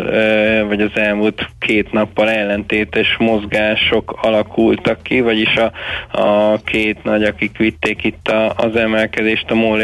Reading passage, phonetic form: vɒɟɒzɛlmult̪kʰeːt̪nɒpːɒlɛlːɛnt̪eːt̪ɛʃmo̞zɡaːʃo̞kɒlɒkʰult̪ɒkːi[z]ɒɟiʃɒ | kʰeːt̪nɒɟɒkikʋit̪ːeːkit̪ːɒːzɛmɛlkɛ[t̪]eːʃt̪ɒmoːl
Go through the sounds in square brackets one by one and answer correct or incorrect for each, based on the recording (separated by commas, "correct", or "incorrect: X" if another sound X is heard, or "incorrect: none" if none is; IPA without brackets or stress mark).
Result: incorrect: v, incorrect: d̪